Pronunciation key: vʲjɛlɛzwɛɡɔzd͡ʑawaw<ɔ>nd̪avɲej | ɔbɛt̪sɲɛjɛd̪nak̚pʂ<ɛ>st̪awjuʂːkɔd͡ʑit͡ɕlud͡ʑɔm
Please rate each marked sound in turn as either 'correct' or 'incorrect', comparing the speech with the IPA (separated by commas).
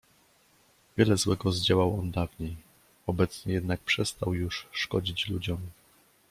correct, correct